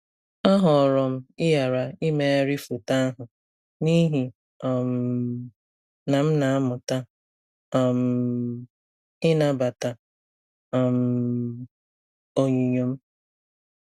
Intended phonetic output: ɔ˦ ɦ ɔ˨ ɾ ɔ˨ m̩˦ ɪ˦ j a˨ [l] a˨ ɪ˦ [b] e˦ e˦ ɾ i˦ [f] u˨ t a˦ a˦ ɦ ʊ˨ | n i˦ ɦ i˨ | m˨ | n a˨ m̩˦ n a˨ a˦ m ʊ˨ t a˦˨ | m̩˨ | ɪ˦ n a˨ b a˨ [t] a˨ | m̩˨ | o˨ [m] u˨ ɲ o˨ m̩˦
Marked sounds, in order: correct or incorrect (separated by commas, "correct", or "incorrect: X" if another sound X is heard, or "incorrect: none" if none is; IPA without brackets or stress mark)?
incorrect: ɾ, incorrect: m, correct, correct, incorrect: ɲ